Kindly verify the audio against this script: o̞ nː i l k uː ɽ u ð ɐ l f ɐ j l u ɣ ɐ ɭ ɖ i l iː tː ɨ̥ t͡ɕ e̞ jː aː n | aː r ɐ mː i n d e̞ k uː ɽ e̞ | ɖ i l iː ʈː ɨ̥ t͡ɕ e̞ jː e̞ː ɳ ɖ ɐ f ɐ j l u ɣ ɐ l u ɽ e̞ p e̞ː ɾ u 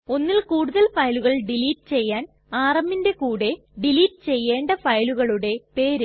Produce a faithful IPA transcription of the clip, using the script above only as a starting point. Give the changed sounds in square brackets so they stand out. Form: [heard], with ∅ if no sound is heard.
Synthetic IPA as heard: o̞ nː i l k uː ɽ u ð ɐ l f ɐ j l u ɣ ɐ ɭ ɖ i l iː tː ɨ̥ t͡ɕ e̞ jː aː n | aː r ɐ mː i n d e̞ k uː ɽ e̞ | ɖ i l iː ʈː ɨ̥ t͡ɕ e̞ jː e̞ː ɳ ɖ ɐ f ɐ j l u ɣ ɐ [ɭ] u ɽ e̞ p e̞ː ɾ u

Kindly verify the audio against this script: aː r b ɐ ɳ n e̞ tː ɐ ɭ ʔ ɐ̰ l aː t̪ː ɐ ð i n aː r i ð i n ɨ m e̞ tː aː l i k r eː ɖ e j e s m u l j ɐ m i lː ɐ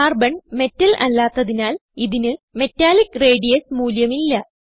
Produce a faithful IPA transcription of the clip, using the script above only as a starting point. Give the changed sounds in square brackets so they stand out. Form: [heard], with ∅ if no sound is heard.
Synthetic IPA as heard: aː r b ɐ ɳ [m] e̞ tː ɐ [l] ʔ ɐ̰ [lː] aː t̪ː ɐ ð i n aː [l] i ð i n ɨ m e̞ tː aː l i k r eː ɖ [i] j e s m [uː] l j ɐ m i lː ɐ

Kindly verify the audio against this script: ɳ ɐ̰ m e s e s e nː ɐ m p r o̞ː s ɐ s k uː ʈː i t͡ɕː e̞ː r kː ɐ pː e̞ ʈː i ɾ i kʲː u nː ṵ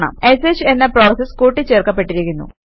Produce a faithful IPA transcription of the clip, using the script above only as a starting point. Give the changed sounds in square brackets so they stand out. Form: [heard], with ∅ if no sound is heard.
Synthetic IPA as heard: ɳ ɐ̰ m e s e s e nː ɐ [∅] p r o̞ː s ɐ s k uː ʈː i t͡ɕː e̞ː r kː ɐ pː e̞ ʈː i ɾ i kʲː u nː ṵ

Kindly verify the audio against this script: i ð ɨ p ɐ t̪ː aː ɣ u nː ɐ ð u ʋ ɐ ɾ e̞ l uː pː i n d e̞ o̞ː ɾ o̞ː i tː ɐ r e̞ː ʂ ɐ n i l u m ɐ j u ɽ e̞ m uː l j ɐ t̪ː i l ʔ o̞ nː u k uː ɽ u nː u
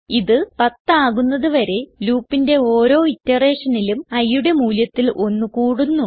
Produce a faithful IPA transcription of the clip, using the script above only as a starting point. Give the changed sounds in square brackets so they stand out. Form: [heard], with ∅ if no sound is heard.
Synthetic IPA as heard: i ð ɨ p ɐ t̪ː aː ɣ u nː ɐ ð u ʋ ɐ ɾ e̞ l uː pː i n d e̞ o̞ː ɾ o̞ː i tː ɐ r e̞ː ʂ ɐ n i l u m ɐ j u ɽ e̞ m uː l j ɐ t̪ː i l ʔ o̞ nː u k uː ɽ u nː u

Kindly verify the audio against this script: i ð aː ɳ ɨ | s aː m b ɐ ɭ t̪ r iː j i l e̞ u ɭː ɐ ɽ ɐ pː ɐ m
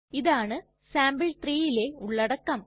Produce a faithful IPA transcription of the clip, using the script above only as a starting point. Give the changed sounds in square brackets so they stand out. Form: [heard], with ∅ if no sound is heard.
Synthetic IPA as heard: i ð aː ɳ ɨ | s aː m b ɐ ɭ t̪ r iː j i l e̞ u ɭː ɐ ɽ ɐ [kː] ɐ m

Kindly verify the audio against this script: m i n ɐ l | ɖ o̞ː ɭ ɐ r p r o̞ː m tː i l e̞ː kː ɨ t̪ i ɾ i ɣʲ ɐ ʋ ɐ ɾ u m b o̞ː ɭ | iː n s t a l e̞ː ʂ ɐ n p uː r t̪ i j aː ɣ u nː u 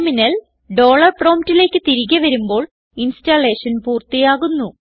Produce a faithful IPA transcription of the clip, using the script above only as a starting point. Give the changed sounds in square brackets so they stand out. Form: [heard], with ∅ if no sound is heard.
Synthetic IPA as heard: m i n ɐ l | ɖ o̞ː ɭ ɐ r p r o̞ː m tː i l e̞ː kː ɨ t̪ i ɾ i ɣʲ ɐ ʋ ɐ ɾ u m b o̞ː ɭ | [i] n s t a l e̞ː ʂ ɐ n p uː r t̪ i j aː ɣ u nː u

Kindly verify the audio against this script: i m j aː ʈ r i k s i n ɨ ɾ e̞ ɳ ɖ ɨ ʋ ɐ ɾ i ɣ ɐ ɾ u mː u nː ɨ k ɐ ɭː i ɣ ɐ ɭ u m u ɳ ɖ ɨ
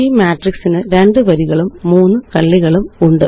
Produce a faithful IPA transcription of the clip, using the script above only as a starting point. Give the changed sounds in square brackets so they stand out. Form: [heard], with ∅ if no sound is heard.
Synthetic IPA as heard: i m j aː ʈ r i k s i n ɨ ɾ e̞ ɳ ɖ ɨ ʋ ɐ ɾ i ɣ ɐ [ɭ] u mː [uː] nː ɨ k ɐ ɭː i ɣ ɐ ɭ u m u ɳ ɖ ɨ

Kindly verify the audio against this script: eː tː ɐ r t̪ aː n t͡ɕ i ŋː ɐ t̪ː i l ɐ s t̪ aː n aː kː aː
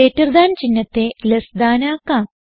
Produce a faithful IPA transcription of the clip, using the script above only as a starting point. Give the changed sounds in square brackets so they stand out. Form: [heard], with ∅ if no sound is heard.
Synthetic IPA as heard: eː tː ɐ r [d̪] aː n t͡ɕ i [nː] ɐ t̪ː [e] l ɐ s [d̪] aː n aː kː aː

